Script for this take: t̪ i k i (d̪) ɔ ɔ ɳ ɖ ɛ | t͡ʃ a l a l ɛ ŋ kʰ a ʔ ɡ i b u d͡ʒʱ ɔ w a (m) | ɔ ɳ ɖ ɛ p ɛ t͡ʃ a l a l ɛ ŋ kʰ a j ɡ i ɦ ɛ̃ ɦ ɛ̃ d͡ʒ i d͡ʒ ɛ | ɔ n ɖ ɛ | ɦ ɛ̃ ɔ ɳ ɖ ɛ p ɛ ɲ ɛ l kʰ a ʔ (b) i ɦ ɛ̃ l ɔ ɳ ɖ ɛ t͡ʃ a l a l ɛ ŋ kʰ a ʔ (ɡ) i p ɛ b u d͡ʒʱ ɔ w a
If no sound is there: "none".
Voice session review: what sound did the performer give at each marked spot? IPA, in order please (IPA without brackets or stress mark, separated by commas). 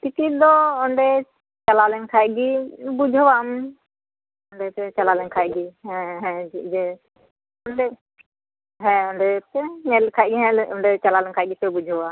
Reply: d̪, m, ɡ, ɡ